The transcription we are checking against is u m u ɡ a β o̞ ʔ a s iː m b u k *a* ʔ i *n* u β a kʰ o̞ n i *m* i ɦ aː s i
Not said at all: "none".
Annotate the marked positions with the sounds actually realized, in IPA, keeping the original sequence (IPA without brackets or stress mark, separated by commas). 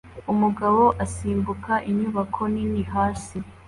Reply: a, ɲ, n